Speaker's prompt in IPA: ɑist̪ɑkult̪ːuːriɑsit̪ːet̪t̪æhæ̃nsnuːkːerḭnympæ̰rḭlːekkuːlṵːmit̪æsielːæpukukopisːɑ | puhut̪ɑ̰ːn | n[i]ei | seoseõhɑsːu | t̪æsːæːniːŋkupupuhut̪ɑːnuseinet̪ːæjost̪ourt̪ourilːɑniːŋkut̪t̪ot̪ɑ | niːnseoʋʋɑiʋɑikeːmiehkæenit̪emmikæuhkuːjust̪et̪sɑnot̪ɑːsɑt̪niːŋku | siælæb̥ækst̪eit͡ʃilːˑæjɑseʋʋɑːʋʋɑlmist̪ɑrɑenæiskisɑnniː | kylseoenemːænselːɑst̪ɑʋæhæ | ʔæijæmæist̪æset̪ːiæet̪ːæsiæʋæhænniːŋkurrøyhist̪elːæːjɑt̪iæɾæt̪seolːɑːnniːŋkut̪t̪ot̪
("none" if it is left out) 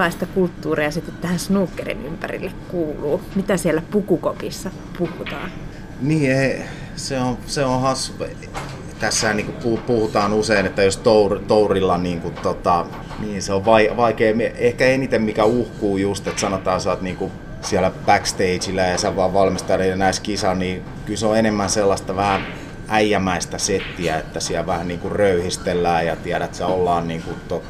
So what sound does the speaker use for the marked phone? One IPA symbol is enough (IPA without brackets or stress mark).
iː